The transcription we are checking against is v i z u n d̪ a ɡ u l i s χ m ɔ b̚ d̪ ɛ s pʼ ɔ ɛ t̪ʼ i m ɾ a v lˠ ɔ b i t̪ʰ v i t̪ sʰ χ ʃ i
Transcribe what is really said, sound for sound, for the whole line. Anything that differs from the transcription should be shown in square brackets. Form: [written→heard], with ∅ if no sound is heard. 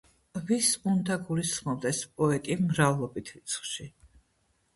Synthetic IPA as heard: v i [z→s] u n d̪ a ɡ u l i s χ m ɔ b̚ d̪ ɛ s pʼ ɔ ɛ t̪ʼ i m ɾ a v lˠ ɔ b i t̪ʰ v i t̪ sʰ χ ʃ i